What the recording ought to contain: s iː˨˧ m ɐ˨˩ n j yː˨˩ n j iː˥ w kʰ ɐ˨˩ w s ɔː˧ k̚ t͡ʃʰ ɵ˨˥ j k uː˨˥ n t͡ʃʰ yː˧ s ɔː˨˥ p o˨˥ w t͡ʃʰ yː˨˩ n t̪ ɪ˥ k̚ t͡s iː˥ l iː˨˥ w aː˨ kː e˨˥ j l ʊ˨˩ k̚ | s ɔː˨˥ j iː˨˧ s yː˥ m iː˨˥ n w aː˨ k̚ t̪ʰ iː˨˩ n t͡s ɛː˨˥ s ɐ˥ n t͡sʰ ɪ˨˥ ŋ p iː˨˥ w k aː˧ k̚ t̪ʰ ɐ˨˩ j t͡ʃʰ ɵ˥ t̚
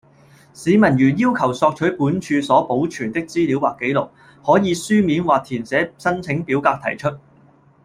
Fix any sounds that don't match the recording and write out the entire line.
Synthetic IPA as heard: s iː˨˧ m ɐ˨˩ n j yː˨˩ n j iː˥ w kʰ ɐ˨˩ w s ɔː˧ k̚ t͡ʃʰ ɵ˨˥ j p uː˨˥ n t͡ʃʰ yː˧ s ɔː˨˥ p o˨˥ w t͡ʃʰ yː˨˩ n t̪ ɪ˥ k̚ t͡s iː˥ l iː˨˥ w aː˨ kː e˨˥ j l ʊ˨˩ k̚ | h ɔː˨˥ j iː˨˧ s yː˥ m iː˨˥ n w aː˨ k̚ t̪ʰ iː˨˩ n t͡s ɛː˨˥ s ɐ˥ n t͡sʰ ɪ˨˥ ŋ p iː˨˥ w k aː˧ k̚ t̪ʰ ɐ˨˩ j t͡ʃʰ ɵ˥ t̚